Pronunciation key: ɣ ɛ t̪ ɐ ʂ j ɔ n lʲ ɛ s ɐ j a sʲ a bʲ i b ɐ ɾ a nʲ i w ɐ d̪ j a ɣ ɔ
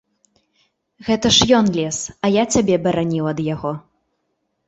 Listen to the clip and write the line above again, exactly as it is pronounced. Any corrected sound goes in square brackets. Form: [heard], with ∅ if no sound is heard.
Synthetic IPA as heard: ɣ ɛ t̪ ɐ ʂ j ɔ n lʲ ɛ s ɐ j a [t͡sʲ] a bʲ [ɛ] b ɐ ɾ a nʲ i w ɐ d̪ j a ɣ ɔ